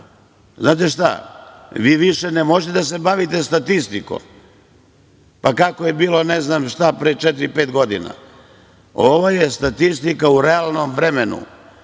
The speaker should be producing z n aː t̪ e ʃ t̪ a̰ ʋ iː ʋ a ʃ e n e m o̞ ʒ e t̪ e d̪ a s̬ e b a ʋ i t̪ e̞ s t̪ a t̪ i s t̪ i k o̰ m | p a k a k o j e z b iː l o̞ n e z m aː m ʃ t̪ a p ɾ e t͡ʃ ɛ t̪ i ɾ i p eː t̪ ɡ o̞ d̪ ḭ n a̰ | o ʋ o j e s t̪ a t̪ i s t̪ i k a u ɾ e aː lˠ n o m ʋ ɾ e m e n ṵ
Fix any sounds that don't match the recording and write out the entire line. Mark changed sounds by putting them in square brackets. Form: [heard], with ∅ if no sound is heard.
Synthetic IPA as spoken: z n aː t̪ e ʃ t̪ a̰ ʋ iː ʋ [i] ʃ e n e m o̞ ʒ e t̪ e d̪ a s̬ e b a ʋ i t̪ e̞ s t̪ a t̪ i s t̪ i k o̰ m | p a k a k o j e [∅] b iː l o̞ n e z [n] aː m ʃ t̪ a p ɾ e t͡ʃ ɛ t̪ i ɾ i p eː t̪ ɡ o̞ d̪ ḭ n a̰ | o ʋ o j e s t̪ a t̪ i s t̪ i k a u ɾ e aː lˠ n o m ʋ ɾ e m e n ṵ